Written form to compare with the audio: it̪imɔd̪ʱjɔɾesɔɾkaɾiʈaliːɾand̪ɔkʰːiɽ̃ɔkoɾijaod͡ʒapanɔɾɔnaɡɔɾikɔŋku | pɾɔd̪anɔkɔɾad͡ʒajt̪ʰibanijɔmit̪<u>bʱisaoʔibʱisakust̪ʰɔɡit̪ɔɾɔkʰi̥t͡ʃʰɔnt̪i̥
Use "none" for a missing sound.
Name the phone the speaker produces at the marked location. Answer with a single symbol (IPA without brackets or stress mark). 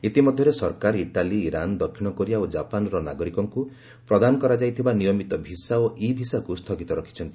ɔ